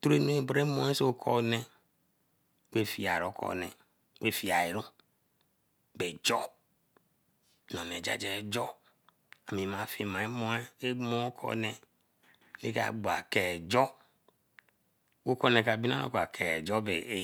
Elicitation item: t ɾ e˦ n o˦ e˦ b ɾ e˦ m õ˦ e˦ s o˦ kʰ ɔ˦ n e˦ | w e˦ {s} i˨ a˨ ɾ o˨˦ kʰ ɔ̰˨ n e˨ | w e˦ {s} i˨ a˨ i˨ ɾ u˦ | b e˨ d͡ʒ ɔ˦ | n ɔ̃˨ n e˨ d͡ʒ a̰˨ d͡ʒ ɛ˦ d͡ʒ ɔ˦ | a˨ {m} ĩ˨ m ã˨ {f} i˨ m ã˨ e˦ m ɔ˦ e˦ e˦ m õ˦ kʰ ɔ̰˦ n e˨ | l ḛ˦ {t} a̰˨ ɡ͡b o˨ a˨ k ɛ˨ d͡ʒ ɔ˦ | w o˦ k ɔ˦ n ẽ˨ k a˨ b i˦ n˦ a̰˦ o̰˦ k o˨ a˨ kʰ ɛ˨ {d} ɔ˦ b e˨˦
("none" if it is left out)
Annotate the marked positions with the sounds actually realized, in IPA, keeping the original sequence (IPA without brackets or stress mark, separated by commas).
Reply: f, f, m, f, k, d͡ʒ